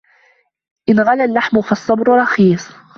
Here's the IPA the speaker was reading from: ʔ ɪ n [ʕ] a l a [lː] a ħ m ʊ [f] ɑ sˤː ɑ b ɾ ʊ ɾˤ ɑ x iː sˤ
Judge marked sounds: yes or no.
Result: no, yes, yes

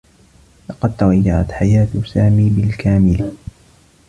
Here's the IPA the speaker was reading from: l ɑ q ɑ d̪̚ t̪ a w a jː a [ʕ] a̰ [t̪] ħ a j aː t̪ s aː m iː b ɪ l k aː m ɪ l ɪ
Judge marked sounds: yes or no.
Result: yes, yes

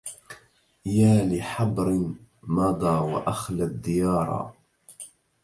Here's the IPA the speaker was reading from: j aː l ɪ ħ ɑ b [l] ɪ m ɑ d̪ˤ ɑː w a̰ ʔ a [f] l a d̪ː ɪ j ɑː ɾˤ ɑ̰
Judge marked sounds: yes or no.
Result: no, no

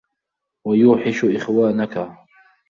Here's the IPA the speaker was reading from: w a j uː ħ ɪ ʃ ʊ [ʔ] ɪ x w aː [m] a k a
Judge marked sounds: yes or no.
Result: yes, no

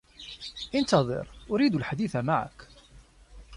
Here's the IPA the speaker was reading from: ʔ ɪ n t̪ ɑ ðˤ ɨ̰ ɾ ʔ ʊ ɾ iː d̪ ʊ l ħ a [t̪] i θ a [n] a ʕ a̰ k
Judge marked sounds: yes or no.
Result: no, no

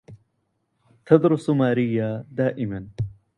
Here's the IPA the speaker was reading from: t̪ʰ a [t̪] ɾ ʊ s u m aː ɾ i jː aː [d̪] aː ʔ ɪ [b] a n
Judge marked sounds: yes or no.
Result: no, yes, no

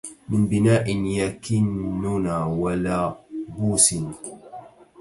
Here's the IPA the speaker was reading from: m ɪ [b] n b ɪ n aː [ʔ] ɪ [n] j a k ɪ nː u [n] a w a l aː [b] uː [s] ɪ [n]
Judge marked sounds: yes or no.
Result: no, yes, yes, yes, yes, yes, yes

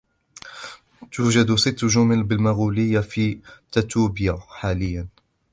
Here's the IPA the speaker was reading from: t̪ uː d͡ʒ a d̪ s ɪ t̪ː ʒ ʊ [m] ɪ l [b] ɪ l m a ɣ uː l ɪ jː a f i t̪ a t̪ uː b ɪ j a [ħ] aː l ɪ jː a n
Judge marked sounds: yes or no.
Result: yes, yes, yes

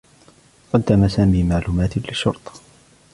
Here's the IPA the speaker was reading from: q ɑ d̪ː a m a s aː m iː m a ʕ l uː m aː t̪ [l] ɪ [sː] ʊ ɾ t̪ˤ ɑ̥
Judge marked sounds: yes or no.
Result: yes, no

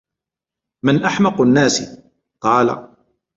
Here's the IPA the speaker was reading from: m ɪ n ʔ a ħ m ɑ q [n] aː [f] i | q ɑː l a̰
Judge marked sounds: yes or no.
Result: no, no

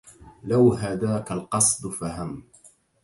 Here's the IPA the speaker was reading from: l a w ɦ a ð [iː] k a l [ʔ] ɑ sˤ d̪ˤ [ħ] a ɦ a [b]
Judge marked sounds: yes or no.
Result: no, no, no, no

